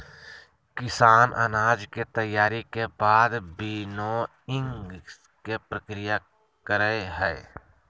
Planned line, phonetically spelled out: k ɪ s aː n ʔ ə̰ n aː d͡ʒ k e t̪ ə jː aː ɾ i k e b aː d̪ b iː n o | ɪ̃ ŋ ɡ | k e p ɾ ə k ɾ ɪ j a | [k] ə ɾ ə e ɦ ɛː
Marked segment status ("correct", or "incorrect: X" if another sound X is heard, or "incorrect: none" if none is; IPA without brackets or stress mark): correct